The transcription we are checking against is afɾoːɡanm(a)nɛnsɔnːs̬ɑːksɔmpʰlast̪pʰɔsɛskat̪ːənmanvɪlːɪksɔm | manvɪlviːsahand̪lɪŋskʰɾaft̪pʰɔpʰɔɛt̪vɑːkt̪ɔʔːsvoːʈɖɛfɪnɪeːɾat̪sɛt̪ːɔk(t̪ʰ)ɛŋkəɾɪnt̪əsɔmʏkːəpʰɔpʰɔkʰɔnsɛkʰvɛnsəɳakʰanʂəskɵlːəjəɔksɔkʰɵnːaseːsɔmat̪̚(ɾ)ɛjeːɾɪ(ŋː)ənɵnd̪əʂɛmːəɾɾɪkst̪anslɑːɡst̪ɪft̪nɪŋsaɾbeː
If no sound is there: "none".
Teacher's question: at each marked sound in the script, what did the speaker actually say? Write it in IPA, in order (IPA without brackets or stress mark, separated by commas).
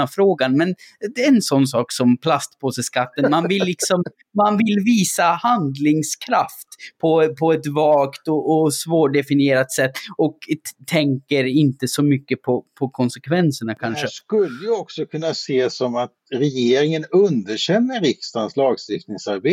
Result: ɛ, t̪ʰ, ɾ, ŋ